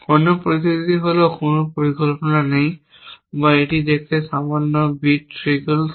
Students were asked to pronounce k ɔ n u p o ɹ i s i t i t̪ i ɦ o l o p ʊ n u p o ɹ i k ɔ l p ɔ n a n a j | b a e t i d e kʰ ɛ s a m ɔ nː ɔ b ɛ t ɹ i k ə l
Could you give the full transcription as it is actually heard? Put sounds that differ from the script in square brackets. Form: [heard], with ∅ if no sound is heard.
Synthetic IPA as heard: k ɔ n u p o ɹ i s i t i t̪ i ɦ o l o [k] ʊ n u p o ɹ i k ɔ l p ɔ n a n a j | b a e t i d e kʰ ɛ s a m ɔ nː ɔ b [i] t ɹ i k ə l